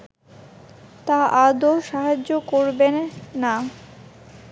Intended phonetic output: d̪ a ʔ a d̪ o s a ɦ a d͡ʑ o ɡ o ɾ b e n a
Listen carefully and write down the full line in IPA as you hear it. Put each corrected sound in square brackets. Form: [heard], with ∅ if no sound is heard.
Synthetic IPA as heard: [t̪] a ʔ a d̪ o [ʃ] a ɦ a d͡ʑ o [k] o ɾ b e [nː] a